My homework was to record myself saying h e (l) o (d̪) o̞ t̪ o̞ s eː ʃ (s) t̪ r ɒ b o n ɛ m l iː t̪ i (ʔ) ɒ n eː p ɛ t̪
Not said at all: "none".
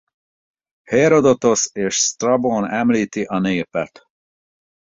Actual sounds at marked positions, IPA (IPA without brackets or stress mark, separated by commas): ɾ, d̪, s, ʔ